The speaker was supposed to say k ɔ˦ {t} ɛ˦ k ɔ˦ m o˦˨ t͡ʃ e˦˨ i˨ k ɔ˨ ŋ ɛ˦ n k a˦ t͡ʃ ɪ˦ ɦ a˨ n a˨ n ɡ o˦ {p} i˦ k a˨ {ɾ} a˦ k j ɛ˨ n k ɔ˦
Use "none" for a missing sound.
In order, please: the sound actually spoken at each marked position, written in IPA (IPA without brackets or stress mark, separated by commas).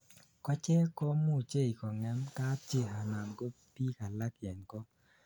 t͡ʃ, p, l